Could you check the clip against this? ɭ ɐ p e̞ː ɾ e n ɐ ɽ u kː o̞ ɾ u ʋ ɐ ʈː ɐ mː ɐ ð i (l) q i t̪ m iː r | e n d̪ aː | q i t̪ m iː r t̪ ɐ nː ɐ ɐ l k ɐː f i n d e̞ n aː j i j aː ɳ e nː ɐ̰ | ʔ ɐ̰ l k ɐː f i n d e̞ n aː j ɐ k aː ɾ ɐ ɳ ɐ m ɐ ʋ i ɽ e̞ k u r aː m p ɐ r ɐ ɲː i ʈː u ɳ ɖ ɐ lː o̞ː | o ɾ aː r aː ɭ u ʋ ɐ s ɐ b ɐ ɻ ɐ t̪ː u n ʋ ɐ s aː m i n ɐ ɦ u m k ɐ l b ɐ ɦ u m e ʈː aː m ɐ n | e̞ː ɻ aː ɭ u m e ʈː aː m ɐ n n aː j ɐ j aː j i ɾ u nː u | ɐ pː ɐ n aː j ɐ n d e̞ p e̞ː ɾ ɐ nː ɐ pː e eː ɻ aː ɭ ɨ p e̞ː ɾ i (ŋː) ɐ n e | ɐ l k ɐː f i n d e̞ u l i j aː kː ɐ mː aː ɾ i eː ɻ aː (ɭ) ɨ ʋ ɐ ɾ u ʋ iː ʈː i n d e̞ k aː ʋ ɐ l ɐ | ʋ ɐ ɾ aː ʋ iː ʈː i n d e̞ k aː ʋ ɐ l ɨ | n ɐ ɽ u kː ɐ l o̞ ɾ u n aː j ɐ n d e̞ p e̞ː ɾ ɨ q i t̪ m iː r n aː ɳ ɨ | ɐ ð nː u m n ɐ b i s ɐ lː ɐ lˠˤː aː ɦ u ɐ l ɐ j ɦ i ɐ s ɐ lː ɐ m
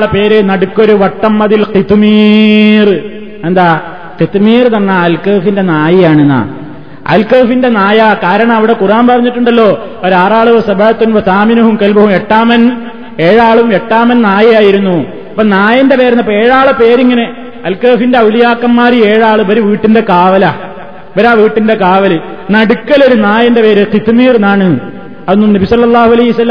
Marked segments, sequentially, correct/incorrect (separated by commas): correct, correct, correct